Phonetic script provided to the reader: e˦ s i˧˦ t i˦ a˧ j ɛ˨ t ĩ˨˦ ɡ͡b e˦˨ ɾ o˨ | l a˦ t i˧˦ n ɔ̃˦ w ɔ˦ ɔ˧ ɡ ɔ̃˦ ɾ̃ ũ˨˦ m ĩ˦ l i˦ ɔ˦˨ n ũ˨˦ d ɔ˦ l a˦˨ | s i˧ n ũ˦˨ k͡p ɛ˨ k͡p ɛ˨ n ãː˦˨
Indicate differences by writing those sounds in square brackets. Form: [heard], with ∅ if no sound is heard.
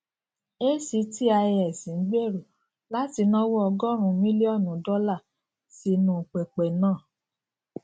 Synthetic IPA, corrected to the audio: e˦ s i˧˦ t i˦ a˧ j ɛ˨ [s] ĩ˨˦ ɡ͡b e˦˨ ɾ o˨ | l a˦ t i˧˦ n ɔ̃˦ w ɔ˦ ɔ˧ ɡ [ɔ˦] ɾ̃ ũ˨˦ m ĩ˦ l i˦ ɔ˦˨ n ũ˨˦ d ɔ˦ l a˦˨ | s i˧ n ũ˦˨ k͡p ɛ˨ k͡p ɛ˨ n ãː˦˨